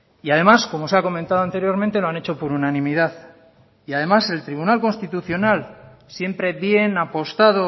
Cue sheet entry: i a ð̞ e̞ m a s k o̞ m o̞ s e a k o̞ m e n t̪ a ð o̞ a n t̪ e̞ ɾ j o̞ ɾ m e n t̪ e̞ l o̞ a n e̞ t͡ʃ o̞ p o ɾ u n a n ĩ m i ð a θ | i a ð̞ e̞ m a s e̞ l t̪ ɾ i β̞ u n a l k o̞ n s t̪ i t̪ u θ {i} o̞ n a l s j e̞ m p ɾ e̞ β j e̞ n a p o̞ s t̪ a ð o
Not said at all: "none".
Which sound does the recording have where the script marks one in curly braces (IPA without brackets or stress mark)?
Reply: j